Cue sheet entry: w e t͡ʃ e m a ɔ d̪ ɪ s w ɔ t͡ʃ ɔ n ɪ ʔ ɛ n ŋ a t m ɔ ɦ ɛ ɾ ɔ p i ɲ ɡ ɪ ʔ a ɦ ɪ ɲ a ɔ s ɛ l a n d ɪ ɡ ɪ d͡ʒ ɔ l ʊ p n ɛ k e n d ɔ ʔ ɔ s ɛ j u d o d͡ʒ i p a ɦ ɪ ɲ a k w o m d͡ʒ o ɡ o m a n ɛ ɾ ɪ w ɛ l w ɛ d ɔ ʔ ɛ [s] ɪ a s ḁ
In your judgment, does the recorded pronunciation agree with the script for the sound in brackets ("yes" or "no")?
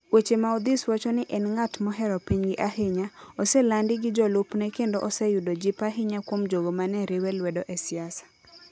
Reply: yes